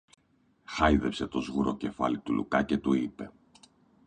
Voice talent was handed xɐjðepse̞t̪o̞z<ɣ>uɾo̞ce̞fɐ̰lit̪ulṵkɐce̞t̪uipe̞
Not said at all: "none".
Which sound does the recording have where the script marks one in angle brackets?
ɣ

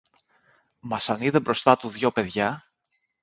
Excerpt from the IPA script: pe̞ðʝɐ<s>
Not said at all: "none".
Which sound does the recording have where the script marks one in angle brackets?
none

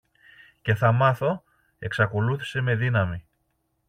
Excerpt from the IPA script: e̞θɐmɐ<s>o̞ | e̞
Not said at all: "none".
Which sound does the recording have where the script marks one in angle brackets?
θ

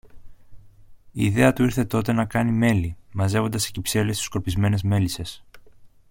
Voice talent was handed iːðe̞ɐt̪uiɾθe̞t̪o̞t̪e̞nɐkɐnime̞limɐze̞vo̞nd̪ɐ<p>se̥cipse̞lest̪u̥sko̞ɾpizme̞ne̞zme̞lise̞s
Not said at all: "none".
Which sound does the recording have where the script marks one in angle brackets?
none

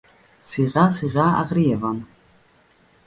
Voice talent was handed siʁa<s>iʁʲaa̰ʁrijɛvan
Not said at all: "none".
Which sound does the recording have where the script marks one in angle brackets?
s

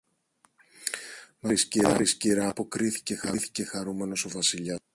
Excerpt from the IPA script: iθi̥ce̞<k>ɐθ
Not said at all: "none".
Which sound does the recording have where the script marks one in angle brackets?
x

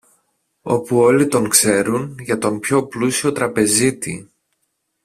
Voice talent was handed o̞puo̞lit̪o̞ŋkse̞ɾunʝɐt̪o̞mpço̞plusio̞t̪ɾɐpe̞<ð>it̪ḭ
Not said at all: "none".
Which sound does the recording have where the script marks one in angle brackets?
z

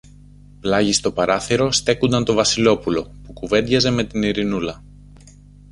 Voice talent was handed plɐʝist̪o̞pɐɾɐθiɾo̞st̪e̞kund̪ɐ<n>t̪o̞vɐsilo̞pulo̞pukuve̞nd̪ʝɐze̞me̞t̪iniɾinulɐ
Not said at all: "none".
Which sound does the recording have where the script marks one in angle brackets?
n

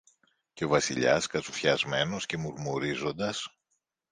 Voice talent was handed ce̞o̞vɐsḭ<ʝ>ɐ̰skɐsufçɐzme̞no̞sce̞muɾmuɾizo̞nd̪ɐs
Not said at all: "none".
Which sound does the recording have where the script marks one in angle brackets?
ʎ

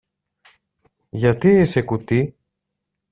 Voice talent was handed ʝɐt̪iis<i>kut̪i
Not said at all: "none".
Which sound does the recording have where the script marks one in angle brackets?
e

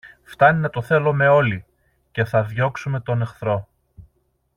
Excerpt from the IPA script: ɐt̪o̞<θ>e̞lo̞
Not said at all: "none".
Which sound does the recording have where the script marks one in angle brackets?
θ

